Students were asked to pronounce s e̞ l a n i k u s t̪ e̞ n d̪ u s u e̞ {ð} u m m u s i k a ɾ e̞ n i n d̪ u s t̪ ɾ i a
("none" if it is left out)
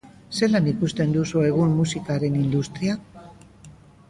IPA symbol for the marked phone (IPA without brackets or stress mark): ɣ